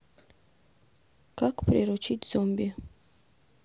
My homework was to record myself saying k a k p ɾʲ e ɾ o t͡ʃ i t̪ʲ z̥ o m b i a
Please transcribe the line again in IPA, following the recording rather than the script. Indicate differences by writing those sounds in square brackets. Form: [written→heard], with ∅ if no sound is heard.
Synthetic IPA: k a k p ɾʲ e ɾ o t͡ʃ i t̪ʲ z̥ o m b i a